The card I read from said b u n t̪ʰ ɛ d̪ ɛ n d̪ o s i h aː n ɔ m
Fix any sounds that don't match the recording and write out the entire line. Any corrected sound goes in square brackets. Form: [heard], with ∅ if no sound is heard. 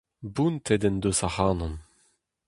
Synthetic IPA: b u n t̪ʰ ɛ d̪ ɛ n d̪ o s [a] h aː n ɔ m